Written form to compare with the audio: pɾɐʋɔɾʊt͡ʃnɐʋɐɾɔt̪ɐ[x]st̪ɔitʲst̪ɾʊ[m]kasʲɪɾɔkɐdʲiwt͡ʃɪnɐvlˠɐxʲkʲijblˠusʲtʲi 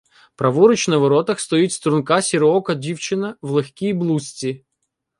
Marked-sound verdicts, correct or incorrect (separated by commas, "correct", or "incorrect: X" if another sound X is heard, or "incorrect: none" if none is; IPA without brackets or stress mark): correct, incorrect: n